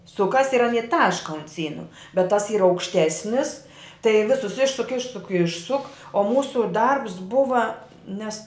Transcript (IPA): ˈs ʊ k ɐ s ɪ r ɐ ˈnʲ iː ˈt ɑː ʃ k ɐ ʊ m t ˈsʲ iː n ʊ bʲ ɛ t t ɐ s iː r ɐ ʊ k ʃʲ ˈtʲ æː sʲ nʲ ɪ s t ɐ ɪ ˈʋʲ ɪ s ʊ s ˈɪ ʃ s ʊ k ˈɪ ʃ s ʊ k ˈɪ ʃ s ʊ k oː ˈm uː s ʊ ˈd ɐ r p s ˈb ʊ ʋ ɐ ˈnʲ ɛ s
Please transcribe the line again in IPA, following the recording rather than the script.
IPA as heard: ˈs ʊ k ɐ s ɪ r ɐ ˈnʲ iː ˈt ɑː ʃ k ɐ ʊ n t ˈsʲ iː n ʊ bʲ ɛ t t ɐ s iː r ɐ ʊ k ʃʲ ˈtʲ æː sʲ nʲ ɪ s t ɐ ɪ ˈʋʲ ɪ s ʊ s ˈɪ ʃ s ʊ k ˈɪ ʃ s ʊ k ˈɪ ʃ s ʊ k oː ˈm uː s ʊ ˈd ɐ r p s ˈb ʊ ʋ ɐ ˈnʲ ɛ s